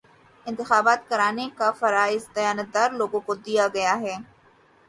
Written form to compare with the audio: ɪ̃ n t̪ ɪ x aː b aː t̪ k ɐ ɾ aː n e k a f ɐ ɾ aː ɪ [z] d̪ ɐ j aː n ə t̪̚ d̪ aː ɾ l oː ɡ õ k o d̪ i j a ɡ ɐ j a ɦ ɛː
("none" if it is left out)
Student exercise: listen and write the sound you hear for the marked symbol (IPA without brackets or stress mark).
z